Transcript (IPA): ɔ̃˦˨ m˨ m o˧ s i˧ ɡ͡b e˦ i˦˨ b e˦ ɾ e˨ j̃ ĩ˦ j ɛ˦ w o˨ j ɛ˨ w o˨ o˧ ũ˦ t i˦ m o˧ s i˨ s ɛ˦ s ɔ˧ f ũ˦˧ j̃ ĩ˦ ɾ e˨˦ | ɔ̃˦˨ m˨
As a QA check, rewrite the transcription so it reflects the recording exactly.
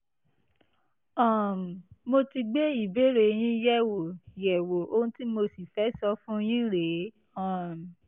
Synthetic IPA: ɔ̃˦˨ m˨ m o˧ t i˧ ɡ͡b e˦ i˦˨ b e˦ ɾ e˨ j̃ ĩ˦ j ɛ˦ w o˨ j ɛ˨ w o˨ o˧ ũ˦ t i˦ m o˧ s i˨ f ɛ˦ s ɔ˧ f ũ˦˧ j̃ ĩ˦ ɾ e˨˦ | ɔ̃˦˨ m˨